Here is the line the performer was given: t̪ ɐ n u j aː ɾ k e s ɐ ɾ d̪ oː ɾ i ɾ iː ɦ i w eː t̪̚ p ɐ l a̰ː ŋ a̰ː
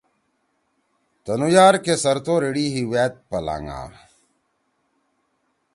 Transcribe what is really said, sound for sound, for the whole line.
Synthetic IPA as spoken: t̪ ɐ n u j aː ɾ k e s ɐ ɾ t̪ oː ɾ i ɽ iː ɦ i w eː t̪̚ p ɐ l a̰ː ŋ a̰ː